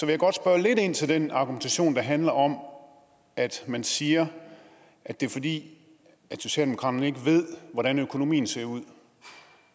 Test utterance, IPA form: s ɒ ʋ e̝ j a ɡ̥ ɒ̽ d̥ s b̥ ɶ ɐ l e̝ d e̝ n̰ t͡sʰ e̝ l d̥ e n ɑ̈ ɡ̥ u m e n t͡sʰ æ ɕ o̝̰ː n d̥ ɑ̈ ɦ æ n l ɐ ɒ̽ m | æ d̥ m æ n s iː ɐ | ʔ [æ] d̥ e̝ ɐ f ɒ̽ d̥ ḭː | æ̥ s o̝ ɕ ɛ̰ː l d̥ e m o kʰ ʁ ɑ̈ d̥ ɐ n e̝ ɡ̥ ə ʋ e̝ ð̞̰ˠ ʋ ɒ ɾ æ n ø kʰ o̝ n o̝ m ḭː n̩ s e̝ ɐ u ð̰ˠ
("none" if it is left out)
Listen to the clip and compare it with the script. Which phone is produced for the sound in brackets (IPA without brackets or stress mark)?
æ